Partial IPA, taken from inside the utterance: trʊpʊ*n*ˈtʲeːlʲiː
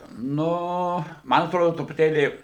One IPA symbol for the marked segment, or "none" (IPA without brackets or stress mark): none